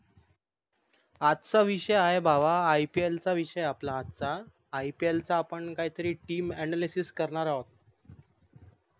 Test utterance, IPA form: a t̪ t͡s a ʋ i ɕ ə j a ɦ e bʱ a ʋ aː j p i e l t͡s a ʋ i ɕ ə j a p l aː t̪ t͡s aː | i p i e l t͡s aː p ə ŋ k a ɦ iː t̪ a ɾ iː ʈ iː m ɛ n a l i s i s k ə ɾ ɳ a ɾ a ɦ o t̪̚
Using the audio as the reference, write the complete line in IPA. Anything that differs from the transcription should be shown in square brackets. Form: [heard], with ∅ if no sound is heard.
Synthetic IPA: a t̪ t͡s a ʋ i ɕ ə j a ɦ e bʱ a ʋ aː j p i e l t͡s a ʋ i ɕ ə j a p l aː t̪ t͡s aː | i p i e l t͡s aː p ə [ɳ] k a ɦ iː t̪ [ə] ɾ iː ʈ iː m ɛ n a l i s i s k ə ɾ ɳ a ɾ a ɦ o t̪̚